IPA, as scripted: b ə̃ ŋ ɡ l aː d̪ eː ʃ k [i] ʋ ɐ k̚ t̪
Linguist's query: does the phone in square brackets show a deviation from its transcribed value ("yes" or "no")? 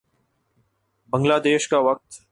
yes